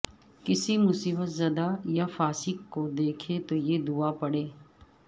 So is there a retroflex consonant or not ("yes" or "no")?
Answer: yes